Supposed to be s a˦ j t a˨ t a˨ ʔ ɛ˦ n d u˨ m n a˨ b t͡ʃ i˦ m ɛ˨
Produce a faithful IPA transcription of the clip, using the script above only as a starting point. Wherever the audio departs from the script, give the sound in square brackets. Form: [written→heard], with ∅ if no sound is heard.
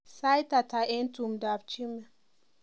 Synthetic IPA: s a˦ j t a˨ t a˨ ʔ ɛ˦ n [d→t] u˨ m [n→d] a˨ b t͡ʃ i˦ m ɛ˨